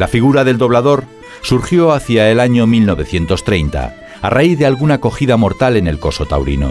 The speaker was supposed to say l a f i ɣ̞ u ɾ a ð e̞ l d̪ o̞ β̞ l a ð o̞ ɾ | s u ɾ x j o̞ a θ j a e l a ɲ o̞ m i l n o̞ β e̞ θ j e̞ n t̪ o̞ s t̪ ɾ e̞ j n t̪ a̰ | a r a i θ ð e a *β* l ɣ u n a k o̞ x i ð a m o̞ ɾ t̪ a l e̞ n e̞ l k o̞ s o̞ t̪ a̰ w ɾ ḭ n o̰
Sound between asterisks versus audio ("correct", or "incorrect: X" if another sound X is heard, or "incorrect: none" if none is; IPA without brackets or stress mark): incorrect: none